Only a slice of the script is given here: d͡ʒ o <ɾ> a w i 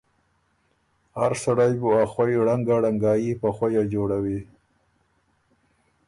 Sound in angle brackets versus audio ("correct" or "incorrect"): incorrect